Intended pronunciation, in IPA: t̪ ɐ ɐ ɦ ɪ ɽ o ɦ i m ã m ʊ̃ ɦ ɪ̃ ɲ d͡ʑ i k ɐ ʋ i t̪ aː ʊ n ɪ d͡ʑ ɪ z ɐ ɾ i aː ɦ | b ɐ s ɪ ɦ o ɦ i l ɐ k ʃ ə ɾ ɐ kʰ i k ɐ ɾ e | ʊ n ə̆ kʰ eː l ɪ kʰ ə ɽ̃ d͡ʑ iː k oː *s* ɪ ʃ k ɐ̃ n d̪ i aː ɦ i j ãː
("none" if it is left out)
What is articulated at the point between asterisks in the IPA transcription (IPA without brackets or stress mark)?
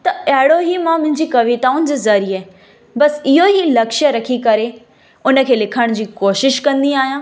ʃ